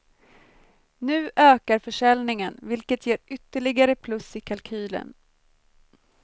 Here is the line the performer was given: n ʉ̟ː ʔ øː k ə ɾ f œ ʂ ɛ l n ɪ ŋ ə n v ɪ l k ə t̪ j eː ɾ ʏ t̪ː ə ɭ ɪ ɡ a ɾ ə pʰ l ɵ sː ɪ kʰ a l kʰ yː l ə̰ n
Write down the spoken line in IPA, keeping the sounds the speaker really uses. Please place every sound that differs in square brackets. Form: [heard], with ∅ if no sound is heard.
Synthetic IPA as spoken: n ʉ̟ː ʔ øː k [a] ɾ f œ ʂ ɛ l n ɪ ŋ ə n v ɪ l k ə t̪ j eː ɾ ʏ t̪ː ə ɭ ɪ ɡ a ɾ ə pʰ l ɵ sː ɪ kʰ a l kʰ yː l ə̰ n